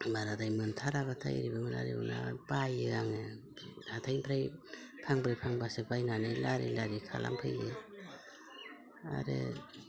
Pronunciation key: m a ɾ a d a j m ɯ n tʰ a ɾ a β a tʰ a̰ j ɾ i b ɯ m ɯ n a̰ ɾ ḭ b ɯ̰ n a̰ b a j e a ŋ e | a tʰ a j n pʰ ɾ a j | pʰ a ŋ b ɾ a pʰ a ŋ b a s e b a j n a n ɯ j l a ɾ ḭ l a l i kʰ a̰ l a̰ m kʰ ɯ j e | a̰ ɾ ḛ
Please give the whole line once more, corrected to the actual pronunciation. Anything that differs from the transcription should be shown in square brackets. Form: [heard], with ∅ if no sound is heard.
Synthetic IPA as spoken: [b] a ɾ a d a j m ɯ n tʰ a ɾ a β a tʰ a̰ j ɾ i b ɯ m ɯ n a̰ ɾ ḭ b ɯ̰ n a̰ b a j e a ŋ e | a tʰ a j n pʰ ɾ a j | pʰ a ŋ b ɾ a pʰ a ŋ b a s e b a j n a n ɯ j l a ɾ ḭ l a [ɾ] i kʰ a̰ l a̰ m [pʰ] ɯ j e | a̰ ɾ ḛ